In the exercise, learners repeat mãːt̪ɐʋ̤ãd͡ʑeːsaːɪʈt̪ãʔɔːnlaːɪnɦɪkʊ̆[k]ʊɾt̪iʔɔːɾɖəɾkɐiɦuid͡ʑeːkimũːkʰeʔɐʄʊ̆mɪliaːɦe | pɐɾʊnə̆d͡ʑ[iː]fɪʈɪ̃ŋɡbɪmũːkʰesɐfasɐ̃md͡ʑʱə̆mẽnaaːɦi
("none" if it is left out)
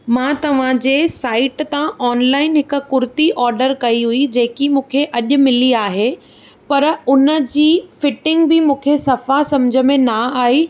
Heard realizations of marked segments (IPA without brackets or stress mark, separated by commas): k, iː